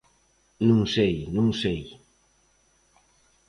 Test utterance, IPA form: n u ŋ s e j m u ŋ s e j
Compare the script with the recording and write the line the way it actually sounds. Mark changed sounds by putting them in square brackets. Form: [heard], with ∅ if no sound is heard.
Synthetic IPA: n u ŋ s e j [n] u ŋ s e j